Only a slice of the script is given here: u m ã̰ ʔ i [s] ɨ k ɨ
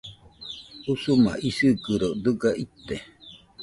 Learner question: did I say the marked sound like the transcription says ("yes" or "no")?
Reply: yes